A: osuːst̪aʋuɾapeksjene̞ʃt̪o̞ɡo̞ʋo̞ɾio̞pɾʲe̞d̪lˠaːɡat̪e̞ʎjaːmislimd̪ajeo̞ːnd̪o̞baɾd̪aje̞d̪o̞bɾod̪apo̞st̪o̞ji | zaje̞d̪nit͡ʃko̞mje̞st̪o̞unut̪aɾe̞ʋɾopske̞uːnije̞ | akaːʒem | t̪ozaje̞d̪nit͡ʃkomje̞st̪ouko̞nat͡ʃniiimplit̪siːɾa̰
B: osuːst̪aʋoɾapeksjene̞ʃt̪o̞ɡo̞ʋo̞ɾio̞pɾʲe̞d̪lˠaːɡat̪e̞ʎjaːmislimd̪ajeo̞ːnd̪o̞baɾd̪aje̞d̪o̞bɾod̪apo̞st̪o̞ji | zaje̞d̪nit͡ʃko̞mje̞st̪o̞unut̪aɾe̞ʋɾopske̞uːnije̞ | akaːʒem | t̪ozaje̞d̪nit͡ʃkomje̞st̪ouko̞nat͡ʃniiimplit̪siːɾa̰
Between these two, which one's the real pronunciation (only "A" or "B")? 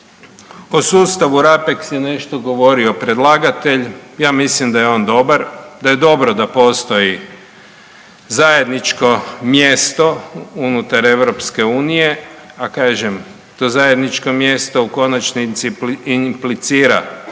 A